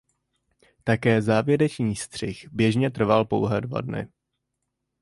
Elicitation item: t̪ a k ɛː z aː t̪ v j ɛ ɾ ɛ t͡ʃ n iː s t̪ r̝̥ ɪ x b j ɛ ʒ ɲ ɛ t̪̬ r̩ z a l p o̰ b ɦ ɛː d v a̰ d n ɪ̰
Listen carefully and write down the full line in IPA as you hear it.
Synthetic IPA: t̪ a k ɛː z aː v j ɛ ɾ ɛ t͡ʃ ɲ iː s t̪ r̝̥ ɪ x b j ɛ ʒ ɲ ɛ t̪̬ r̩ v a l p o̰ w ɦ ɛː d v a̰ d n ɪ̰